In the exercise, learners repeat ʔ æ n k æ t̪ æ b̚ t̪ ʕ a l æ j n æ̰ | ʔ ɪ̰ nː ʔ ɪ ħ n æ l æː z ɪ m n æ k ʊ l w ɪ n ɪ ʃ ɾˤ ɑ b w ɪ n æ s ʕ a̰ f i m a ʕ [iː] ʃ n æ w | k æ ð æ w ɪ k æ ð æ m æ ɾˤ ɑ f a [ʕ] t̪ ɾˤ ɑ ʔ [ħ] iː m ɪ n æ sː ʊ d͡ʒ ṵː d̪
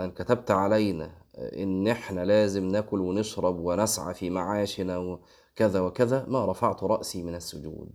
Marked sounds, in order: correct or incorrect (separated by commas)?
incorrect, correct, incorrect